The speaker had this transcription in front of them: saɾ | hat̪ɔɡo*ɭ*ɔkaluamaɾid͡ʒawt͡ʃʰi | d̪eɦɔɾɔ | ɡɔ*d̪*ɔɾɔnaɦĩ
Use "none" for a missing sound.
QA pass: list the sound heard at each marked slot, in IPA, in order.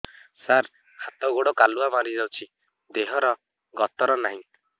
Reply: ɽ, t̪

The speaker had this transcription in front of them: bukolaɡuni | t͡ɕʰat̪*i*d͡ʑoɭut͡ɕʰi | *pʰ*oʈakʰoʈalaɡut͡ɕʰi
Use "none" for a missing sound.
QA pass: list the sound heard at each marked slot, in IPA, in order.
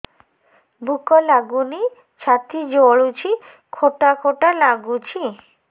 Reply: i, kʰ

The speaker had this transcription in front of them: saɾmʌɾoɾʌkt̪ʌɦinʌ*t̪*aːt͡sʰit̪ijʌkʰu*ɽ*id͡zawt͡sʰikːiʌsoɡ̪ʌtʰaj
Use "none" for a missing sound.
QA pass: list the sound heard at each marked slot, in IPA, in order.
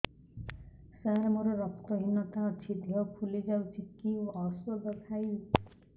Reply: t̪, l

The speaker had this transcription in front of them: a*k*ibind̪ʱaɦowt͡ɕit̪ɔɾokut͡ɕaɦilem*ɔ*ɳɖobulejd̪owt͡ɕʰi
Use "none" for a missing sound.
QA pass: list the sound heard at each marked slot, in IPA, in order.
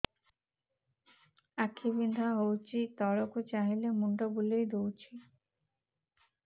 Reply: kʰ, u

